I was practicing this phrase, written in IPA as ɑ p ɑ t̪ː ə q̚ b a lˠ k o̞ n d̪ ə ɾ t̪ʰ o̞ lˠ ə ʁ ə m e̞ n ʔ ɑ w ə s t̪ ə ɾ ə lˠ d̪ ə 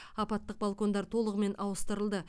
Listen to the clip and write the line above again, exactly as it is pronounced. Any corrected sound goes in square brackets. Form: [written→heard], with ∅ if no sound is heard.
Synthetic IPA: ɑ p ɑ t̪ː ə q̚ b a lˠ k o̞ n d̪ [ə→ɑ] ɾ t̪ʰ o̞ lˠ ə ʁ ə m e̞ n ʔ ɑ w ə s t̪ ə ɾ ə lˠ d̪ ə